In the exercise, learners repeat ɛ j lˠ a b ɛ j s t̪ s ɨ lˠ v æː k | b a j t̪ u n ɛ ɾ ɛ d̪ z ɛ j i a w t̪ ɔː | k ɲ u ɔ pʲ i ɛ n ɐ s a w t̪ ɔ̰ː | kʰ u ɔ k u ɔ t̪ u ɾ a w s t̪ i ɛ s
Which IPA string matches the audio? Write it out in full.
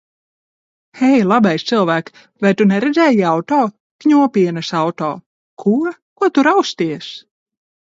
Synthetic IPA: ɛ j lˠ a b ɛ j s t̪ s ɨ lˠ v æː k | v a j t̪ u n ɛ ɾ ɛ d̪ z ɛ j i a w t̪ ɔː | k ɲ u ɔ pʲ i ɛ n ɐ s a w t̪ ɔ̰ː | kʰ u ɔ k u ɔ t̪ u ɾ a w s t̪ i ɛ s